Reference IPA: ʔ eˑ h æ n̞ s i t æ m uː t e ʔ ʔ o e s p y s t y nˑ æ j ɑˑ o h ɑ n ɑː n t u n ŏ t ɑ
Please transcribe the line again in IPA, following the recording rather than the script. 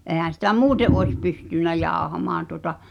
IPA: ʔ eˑ h æ n̞ s i t æ m uː t e ʔ ʔ o e s p y s t y nˑ æ j ɑˑ o h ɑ m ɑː n t u ŏ t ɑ